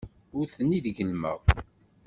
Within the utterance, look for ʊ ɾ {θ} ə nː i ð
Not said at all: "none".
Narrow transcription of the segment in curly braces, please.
θ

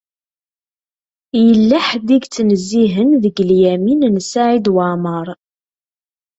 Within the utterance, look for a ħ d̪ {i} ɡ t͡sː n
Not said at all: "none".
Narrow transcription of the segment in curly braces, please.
i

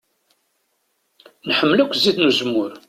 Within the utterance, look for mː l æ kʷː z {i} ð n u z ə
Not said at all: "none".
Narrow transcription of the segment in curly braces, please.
i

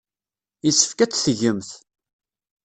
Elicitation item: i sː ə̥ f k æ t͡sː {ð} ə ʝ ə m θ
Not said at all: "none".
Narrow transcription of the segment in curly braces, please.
θ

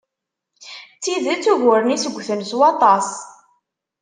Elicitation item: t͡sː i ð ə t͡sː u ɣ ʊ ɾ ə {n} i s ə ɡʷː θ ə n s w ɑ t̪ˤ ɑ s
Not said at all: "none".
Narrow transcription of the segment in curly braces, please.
n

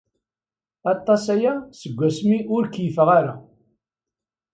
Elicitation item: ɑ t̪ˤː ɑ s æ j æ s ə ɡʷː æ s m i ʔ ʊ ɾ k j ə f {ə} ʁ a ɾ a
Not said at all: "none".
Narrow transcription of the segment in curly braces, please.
ə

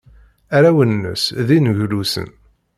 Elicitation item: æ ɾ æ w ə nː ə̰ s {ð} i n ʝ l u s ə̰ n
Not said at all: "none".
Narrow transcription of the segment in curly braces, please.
ð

